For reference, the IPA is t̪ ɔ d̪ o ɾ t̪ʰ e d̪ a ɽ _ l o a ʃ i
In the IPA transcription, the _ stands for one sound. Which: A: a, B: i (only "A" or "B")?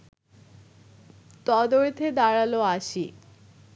A